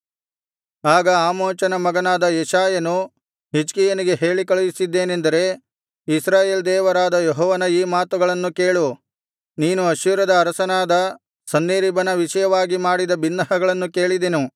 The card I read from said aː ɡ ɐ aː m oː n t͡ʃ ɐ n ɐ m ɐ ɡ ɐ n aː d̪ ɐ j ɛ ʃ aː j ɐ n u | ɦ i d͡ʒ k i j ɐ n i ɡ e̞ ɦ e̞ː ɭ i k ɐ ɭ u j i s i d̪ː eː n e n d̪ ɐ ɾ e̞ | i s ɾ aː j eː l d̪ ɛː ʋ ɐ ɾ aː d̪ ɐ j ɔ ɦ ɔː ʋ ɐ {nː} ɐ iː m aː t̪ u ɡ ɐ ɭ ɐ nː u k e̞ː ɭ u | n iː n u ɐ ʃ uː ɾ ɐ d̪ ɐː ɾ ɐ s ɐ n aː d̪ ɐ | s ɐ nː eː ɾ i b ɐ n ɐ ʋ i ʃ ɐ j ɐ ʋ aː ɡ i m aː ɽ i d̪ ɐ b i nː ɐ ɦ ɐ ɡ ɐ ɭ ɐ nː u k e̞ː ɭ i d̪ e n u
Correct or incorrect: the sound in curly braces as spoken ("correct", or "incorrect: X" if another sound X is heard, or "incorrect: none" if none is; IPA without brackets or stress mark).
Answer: incorrect: n